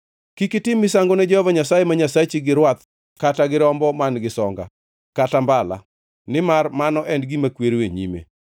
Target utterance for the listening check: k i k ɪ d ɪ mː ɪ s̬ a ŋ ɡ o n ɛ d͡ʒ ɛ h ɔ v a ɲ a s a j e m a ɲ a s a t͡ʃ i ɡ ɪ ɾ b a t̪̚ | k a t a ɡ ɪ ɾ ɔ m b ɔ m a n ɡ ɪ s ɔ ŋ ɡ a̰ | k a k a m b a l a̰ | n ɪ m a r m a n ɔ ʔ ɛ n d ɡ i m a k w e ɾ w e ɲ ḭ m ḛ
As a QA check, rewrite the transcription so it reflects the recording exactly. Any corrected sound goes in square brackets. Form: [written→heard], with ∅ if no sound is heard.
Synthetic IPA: k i k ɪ [d→t] ɪ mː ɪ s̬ a ŋ ɡ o n ɛ d͡ʒ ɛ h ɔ v a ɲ a s a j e m a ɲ a s a t͡ʃ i ɡ ɪ ɾ [b→w] a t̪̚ | k a t a ɡ ɪ ɾ ɔ m b ɔ m a n ɡ ɪ s ɔ ŋ ɡ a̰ | k a [k→t] a m b a l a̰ | n ɪ m a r m a n ɔ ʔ ɛ n d ɡ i m a k w e ɾ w e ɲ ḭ m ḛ